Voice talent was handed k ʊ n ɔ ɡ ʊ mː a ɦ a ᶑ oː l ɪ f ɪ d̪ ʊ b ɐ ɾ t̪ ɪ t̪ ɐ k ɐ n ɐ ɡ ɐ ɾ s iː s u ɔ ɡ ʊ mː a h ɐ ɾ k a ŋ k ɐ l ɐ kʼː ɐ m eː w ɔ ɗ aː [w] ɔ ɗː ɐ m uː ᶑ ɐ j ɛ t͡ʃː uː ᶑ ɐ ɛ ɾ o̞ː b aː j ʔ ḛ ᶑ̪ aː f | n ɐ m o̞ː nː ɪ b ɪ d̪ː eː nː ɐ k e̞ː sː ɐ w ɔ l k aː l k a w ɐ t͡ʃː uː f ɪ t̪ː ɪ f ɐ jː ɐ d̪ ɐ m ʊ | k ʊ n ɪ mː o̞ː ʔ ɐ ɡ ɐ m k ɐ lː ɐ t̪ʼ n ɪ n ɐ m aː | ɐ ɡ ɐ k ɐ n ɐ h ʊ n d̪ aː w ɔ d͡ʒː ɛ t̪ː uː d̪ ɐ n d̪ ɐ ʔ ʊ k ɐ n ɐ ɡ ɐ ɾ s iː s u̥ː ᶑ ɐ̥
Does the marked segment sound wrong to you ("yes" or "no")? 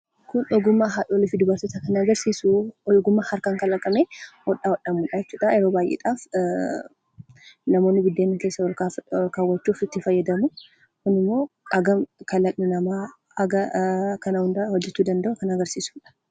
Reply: no